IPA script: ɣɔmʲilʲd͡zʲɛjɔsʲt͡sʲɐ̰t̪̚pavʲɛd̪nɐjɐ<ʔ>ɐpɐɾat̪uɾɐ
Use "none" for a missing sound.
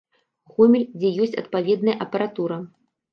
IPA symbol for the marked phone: ʔ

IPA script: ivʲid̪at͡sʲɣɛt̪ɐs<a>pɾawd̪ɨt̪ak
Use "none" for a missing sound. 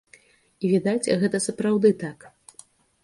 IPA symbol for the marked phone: ɐ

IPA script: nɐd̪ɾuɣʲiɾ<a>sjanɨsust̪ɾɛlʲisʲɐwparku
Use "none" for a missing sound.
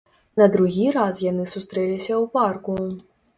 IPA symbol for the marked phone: a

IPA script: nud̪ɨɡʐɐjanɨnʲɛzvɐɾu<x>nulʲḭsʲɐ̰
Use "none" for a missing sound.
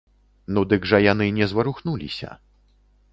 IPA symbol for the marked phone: x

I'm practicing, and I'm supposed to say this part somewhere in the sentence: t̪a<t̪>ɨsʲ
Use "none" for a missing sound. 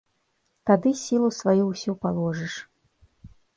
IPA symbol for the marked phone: d̪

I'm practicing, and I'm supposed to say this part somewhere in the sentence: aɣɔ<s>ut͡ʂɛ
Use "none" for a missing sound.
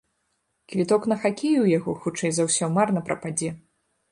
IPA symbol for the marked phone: x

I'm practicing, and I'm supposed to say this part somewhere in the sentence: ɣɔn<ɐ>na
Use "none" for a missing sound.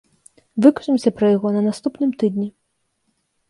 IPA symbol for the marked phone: ɐ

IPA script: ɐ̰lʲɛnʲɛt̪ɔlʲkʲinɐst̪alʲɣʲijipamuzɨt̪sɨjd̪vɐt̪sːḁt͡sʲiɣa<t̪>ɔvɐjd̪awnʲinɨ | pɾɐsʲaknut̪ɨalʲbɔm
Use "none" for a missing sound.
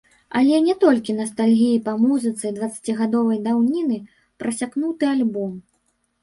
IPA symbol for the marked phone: d̪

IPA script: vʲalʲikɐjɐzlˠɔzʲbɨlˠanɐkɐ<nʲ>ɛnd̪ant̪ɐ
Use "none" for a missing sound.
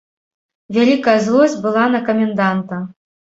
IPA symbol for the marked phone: mʲ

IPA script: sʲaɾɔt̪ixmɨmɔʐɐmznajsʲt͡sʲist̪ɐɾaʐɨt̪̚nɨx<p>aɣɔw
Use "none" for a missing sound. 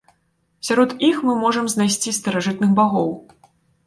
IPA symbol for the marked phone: b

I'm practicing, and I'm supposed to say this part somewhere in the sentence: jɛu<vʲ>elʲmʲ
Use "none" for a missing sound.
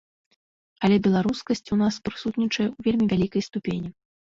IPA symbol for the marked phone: vʲ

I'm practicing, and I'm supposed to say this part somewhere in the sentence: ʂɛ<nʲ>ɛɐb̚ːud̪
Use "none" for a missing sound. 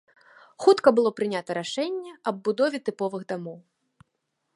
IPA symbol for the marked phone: nʲː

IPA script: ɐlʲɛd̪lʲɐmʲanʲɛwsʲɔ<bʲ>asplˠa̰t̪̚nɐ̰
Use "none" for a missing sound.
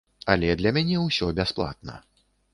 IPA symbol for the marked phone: bʲ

